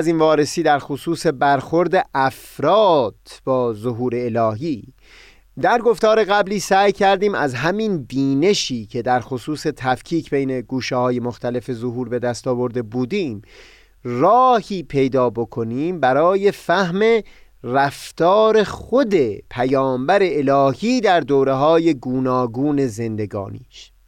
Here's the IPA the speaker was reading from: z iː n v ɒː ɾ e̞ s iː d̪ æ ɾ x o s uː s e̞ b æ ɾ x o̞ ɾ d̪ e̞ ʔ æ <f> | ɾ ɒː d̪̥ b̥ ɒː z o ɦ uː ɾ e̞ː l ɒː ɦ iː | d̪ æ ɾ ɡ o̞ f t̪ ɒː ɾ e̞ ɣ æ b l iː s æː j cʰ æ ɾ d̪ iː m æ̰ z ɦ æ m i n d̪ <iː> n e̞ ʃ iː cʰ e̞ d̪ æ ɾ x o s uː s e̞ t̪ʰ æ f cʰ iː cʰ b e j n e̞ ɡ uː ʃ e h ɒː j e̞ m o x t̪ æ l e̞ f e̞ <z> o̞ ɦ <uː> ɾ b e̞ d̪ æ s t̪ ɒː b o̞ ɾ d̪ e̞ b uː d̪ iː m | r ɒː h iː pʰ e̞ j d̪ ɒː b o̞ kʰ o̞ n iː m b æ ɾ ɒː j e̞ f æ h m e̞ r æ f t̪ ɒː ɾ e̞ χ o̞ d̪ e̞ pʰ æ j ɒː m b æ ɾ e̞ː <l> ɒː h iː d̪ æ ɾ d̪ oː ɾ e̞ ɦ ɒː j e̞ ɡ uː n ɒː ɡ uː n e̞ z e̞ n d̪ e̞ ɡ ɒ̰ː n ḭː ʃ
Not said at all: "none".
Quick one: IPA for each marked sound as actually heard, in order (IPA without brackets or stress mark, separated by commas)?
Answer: f, iː, z, uː, l